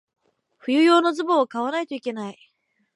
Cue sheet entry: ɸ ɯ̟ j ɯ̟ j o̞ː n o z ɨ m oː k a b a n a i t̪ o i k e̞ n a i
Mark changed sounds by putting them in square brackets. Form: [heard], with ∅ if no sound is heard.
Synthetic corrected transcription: ɸ ɯ̟ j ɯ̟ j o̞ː n o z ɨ [b] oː k a [β] a n a i t̪ o i k e̞ n a i